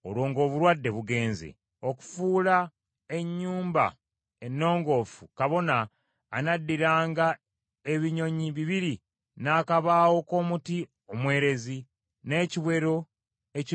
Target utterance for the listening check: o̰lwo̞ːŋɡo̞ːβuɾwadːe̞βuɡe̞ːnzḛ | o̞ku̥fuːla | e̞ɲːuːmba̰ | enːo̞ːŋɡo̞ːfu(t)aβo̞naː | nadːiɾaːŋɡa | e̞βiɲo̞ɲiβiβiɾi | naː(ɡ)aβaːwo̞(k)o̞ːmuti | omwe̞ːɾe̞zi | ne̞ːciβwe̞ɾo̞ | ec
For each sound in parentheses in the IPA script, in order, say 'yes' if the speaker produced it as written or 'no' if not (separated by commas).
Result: no, no, yes